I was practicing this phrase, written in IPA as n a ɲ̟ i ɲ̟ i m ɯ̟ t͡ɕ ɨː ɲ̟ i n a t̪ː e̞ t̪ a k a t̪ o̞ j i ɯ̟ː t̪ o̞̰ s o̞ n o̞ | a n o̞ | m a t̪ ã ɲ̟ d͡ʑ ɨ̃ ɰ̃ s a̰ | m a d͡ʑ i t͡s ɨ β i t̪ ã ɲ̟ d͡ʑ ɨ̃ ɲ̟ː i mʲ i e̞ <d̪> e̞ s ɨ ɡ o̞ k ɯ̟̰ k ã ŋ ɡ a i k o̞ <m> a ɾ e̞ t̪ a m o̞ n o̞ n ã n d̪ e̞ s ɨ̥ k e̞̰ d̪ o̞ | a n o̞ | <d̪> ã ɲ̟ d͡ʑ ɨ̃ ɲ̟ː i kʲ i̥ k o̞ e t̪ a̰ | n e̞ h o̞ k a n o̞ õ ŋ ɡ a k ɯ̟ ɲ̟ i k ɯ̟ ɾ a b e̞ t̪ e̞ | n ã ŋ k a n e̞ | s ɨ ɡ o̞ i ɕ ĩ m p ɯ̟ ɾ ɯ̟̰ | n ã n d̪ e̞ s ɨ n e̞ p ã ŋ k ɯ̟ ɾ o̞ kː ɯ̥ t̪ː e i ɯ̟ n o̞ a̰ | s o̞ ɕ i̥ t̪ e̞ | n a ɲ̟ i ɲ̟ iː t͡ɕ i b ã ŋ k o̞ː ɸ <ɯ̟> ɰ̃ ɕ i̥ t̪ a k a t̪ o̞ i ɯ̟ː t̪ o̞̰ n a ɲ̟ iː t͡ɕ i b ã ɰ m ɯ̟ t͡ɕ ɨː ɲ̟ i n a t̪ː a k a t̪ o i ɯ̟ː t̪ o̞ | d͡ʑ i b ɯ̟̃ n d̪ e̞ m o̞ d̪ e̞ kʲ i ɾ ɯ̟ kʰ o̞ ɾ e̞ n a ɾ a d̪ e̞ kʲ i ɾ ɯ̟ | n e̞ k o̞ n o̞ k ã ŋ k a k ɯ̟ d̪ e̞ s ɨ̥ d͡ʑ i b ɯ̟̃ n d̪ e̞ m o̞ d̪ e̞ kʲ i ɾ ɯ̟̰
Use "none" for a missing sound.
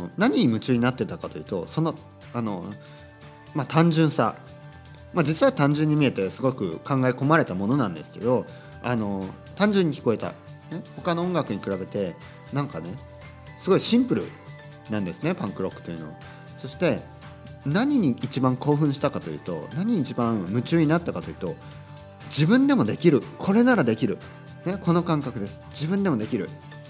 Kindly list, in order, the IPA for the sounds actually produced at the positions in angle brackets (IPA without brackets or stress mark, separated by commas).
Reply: t̪, m, t̪, ɯ̟̃